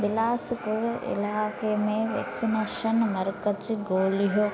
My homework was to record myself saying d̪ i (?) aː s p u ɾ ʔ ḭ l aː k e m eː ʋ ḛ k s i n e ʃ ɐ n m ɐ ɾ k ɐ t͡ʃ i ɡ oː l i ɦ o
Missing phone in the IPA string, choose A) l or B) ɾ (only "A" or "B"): A